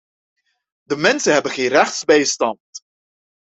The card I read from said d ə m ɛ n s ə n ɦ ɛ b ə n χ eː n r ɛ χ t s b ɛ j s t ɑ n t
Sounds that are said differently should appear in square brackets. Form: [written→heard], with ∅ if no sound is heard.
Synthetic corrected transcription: d ə m ɛ n s ə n ɦ ɛ b ə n χ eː n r ɛ χ t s b ɛ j s t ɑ n t